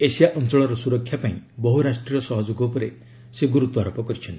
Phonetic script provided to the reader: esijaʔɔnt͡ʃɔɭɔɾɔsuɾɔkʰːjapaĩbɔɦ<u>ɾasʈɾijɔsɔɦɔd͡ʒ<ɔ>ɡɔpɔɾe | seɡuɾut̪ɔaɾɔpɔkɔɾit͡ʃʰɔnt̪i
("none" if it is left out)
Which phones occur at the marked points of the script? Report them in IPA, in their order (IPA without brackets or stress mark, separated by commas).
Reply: u, o